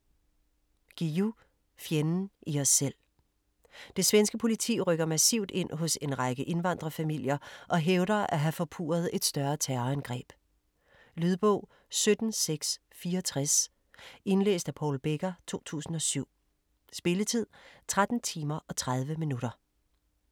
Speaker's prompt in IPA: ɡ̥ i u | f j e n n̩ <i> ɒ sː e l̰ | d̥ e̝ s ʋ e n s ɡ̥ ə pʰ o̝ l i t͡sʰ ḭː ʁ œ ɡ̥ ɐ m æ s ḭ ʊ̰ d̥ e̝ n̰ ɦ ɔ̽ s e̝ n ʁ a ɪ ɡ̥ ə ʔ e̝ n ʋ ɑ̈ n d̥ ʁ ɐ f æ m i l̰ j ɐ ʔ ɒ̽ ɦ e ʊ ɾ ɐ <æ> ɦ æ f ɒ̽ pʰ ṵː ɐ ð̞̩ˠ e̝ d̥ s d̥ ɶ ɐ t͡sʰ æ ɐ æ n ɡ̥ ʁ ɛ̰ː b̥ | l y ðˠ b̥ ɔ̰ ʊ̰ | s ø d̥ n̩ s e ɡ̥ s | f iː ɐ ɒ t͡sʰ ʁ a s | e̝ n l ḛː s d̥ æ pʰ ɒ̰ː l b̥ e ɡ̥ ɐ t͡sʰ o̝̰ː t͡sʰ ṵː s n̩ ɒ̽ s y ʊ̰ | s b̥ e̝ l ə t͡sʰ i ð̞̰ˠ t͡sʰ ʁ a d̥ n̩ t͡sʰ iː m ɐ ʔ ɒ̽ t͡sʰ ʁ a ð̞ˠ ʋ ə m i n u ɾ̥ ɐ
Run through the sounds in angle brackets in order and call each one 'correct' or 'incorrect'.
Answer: correct, correct

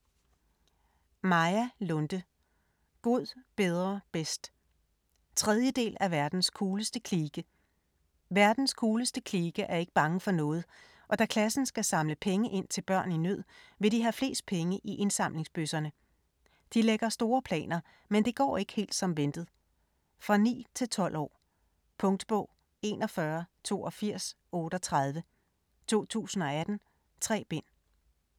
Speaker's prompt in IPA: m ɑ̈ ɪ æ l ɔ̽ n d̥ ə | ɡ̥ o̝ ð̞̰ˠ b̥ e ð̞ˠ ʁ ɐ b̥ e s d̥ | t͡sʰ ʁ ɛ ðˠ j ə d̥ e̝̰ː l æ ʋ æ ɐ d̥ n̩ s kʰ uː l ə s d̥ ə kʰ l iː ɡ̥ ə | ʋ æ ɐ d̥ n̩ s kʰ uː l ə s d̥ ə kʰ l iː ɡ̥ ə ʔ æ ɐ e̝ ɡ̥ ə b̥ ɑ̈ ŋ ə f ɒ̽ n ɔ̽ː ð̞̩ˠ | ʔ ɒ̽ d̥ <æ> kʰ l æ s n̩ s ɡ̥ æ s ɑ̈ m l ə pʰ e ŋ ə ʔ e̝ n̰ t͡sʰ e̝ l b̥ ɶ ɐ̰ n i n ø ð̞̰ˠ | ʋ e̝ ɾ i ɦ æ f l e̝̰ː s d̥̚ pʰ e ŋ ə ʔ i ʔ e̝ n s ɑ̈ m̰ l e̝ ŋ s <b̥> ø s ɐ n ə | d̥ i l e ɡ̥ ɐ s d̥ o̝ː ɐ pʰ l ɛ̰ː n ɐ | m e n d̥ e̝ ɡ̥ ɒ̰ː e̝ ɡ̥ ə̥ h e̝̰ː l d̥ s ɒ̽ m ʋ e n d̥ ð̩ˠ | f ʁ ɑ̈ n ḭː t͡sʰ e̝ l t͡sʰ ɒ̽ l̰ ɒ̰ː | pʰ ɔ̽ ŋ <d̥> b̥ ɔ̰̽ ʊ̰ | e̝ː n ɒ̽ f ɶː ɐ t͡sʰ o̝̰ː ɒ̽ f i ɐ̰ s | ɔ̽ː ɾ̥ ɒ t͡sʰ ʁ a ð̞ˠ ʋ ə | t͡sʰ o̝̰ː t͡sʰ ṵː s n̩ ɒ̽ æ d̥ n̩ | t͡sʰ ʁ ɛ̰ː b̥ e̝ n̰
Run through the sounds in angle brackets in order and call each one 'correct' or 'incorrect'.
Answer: correct, correct, correct

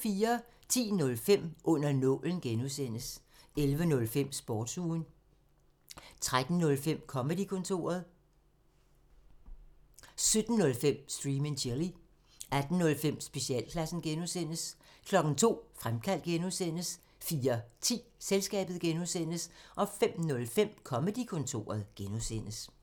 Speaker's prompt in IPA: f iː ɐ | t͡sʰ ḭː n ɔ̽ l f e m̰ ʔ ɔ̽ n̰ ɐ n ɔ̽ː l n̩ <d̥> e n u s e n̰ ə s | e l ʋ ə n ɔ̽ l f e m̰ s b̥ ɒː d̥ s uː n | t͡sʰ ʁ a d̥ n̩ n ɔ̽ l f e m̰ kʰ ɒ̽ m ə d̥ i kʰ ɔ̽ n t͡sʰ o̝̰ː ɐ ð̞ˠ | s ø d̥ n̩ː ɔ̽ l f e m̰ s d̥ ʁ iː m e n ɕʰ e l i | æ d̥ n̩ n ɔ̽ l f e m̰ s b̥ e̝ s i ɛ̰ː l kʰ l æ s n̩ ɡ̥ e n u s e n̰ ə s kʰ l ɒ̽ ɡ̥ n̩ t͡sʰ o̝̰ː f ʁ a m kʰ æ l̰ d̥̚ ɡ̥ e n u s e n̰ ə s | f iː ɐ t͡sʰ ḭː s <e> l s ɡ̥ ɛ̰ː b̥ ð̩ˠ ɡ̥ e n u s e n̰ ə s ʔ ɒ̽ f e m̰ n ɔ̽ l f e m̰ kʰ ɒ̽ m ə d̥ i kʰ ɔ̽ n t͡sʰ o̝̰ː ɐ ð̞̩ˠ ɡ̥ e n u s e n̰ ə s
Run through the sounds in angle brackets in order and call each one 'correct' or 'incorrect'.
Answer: incorrect: ɡ̥, correct

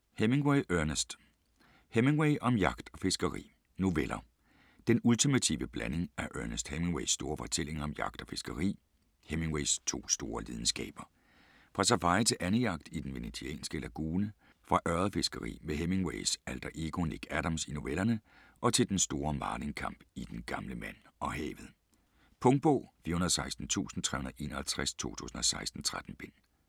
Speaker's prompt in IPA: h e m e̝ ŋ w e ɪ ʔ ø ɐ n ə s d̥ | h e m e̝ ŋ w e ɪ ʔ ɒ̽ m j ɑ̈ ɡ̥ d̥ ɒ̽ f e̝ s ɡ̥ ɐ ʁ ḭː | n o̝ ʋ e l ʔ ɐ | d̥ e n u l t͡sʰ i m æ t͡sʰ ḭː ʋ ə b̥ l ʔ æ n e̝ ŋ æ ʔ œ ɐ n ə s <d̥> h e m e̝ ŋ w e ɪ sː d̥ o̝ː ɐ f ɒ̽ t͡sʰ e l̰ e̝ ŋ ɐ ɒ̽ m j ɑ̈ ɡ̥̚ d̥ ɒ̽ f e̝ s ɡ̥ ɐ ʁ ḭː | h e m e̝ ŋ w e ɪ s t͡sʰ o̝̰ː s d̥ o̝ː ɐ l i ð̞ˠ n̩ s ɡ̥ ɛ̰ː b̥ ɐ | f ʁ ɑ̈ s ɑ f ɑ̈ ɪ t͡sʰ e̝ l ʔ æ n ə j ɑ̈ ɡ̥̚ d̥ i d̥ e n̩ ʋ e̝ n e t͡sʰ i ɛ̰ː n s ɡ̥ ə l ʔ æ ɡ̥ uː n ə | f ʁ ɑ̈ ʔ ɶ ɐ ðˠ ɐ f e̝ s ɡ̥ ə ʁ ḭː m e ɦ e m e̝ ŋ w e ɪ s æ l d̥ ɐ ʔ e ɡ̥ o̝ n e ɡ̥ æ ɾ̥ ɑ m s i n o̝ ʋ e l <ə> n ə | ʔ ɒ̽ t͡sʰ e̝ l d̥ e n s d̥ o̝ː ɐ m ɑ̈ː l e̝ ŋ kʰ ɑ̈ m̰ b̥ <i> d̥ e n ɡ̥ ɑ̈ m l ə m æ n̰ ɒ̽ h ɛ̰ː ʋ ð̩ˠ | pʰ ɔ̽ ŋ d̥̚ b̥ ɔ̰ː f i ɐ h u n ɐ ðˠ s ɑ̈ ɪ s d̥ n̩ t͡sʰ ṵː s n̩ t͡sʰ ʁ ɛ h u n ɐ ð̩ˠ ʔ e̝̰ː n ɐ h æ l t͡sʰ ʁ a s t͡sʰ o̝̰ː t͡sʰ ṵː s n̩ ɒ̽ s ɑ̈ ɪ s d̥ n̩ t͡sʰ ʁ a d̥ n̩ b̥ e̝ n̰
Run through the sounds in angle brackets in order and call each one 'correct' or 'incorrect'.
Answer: correct, incorrect: ɐ, correct

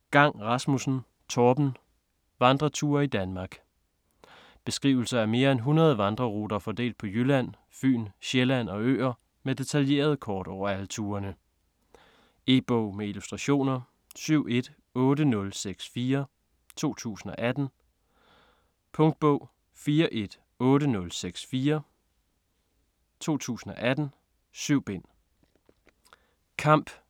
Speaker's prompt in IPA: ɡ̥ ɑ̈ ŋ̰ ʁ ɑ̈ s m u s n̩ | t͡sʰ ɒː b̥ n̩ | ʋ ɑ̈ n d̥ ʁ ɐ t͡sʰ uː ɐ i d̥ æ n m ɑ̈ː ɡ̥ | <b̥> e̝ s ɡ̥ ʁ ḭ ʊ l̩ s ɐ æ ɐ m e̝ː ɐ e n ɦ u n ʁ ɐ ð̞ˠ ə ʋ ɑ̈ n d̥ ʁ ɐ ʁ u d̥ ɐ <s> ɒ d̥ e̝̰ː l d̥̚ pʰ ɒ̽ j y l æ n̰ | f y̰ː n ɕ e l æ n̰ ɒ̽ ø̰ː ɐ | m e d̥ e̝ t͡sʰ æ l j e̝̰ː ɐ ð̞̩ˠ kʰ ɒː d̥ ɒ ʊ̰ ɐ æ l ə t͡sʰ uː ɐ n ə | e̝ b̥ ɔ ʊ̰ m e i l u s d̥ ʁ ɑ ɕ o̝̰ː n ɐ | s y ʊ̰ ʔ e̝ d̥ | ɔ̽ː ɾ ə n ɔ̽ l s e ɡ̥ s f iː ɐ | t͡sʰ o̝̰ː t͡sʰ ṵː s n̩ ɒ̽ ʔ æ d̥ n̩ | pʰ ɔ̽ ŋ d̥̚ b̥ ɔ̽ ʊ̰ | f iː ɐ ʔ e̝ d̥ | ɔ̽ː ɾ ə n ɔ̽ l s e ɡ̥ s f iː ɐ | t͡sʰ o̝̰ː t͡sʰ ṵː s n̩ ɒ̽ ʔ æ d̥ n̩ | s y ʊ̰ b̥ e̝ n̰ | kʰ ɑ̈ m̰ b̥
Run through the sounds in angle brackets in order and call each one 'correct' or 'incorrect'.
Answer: correct, incorrect: f

